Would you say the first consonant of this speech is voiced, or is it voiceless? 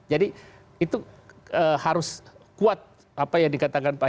voiced